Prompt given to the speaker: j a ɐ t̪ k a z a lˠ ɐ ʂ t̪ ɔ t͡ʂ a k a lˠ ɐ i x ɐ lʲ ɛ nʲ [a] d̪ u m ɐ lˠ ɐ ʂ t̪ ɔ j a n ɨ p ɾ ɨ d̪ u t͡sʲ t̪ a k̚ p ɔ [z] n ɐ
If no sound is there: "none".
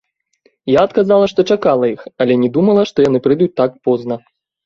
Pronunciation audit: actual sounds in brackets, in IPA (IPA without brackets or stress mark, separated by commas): ɛ, z